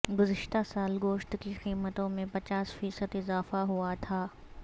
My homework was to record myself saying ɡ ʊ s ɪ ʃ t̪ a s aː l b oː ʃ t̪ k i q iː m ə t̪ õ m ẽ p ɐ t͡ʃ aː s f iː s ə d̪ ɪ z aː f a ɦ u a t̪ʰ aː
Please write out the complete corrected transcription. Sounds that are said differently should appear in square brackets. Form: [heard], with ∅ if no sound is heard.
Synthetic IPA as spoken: ɡ ʊ [z] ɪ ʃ t̪ a s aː l [ɡ] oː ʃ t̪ k i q iː m ə t̪ õ m ẽ p ɐ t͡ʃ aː s f iː s ə d̪ ɪ z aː f a ɦ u a t̪ʰ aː